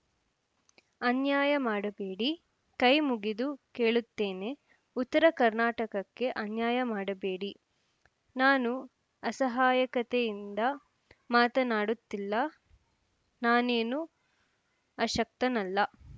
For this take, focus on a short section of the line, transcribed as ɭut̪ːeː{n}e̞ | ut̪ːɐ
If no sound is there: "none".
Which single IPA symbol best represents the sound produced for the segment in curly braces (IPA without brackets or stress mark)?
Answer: n